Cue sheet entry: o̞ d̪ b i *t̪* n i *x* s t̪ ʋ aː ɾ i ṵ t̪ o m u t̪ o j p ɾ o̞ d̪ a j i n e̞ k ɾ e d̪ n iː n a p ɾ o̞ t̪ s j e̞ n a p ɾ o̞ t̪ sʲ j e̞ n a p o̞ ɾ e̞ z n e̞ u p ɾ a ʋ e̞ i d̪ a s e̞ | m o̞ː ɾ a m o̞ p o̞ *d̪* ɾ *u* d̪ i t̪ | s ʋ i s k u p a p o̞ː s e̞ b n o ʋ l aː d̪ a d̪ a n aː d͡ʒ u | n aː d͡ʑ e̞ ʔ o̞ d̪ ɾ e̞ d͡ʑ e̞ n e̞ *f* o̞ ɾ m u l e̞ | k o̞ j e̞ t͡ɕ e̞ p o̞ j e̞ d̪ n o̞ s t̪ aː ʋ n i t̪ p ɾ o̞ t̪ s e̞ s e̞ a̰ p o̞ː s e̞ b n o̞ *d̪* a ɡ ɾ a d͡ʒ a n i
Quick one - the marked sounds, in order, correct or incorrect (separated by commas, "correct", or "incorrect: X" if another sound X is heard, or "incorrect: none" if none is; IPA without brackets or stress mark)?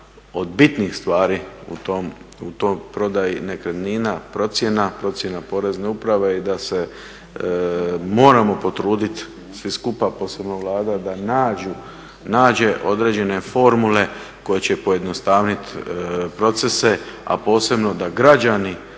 correct, correct, incorrect: t̪, incorrect: uː, correct, correct